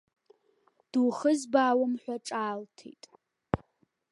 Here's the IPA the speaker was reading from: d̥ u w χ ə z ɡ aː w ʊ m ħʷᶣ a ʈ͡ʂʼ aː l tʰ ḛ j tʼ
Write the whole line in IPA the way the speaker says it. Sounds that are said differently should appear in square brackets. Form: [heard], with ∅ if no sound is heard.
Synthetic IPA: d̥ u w χ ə z [b] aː w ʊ m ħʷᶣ a ʈ͡ʂʼ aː l tʰ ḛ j tʼ